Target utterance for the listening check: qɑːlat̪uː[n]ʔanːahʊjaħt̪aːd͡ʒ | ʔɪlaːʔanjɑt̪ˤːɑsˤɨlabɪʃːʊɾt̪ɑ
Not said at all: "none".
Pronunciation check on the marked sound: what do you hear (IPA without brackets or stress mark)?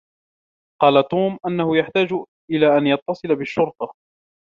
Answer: m